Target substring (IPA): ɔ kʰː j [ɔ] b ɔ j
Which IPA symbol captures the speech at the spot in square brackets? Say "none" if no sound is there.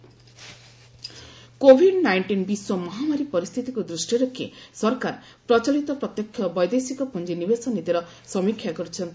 ɔ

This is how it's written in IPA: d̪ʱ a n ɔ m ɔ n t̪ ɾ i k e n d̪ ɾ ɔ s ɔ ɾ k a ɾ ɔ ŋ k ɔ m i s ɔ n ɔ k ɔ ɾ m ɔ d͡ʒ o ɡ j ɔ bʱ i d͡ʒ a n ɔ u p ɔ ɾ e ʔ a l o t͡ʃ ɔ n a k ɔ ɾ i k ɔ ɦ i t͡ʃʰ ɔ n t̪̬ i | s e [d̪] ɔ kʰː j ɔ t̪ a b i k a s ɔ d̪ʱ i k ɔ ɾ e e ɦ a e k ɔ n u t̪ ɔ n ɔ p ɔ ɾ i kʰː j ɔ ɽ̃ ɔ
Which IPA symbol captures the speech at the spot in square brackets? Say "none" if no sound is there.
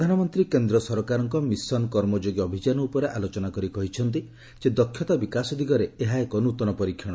d̪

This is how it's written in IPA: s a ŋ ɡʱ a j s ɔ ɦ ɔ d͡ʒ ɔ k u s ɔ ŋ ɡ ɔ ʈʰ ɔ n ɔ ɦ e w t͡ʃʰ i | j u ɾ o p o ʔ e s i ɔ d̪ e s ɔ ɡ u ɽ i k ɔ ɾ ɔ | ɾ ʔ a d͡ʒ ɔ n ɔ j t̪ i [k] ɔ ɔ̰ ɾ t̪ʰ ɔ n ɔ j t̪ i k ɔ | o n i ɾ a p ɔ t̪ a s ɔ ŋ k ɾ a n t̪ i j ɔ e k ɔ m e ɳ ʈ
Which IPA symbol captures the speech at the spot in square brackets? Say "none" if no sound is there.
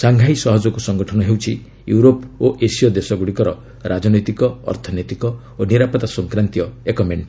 k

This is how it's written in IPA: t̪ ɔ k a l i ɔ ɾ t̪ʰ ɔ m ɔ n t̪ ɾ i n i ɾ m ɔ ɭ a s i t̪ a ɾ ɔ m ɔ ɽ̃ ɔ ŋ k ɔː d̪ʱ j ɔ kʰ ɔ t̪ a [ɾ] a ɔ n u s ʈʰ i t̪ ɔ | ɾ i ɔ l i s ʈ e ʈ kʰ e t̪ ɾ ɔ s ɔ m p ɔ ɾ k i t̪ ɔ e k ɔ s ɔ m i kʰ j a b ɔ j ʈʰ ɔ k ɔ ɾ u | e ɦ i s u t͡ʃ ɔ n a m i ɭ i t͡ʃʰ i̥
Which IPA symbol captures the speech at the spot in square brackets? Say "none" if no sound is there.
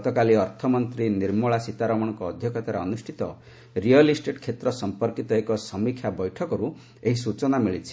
ɾ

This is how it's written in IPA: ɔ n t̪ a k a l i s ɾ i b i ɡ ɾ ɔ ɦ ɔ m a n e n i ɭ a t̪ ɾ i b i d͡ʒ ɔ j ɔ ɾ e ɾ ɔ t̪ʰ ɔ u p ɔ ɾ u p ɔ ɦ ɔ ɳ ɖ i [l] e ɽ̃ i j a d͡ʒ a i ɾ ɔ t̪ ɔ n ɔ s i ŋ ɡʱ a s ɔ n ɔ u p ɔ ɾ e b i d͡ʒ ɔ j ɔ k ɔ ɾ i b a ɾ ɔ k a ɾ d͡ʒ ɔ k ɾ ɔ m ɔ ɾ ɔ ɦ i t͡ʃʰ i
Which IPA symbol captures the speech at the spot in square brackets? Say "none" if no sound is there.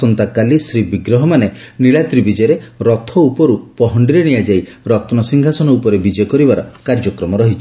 ɾ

